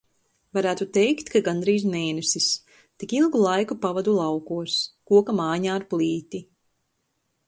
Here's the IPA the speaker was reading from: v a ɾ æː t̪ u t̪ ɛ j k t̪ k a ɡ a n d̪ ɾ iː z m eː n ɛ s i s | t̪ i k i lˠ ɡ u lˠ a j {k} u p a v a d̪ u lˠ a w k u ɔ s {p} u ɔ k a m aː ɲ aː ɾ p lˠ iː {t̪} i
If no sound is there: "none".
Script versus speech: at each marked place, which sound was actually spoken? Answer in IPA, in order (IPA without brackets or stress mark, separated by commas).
k, k, t̪